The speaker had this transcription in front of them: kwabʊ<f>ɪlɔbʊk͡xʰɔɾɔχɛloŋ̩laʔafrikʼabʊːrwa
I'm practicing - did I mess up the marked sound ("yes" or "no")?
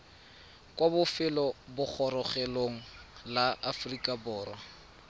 no